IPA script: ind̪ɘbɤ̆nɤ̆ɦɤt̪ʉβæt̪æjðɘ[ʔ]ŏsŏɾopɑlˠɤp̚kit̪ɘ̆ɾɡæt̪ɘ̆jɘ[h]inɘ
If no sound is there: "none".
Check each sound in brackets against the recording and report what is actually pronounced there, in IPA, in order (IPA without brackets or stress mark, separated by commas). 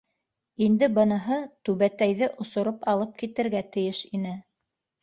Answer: ʔ, ʃ